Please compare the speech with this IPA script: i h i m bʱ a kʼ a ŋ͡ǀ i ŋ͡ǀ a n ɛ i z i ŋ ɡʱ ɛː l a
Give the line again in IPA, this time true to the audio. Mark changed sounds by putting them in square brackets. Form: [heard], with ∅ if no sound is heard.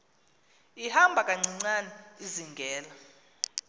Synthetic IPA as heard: i h [a] m bʱ a kʼ a ŋ͡ǀ i ŋ͡ǀ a n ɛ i z i ŋ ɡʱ ɛː l a